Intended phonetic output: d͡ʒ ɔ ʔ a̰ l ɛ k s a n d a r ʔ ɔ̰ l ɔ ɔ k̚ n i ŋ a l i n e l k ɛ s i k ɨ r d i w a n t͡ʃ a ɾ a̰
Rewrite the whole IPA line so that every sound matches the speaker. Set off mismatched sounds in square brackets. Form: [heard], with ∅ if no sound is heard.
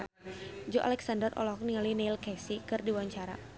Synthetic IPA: d͡ʒ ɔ ʔ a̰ l ɛ k s a n d [ə] r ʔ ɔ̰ l ɔ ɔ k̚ n i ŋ a l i n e l k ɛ s i k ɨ r d i w a [ɲ] t͡ʃ a ɾ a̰